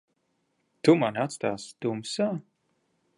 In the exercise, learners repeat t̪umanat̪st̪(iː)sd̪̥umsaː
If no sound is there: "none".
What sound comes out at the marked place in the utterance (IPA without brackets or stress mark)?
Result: aː